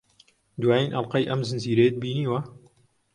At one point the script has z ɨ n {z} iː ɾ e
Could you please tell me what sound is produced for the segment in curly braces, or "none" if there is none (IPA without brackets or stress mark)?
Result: z